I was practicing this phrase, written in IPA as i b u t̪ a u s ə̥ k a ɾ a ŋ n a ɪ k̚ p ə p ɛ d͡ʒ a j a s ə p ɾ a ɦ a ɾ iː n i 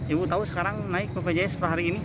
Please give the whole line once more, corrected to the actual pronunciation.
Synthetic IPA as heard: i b u t̪ a u s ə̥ k a ɾ a ŋ n a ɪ k̚ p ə p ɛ d͡ʒ a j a s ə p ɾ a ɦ a ɾ iː n i